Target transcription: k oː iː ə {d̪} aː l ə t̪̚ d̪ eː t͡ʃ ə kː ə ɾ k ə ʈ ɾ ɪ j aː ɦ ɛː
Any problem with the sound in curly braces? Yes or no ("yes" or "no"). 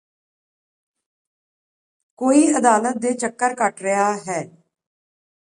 no